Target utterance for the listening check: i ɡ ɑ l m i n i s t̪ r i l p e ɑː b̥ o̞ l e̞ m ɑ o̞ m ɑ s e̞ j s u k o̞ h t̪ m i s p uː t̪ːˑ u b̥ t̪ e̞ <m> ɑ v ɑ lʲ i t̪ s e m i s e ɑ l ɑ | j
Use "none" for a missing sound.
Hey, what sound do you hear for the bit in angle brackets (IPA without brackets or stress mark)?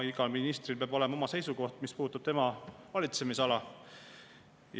m